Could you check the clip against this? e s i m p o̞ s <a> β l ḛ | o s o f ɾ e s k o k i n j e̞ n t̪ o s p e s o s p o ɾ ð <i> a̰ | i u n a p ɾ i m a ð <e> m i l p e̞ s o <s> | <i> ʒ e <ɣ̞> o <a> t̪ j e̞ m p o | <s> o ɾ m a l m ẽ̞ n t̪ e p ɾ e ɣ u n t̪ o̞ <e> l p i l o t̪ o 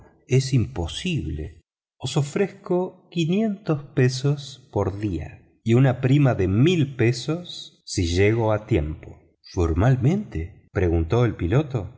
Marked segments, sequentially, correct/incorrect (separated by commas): incorrect, correct, correct, incorrect, correct, correct, correct, incorrect, correct